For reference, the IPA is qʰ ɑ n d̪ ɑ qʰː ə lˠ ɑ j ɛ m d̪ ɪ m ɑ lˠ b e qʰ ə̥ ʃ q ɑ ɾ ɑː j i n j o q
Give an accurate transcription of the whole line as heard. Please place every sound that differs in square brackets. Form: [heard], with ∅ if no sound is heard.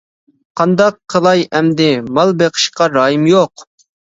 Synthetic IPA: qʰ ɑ n d̪ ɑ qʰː ə lˠ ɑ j ɛ m d̪ ɪ m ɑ lˠ b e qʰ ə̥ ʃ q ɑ ɾ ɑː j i [m] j o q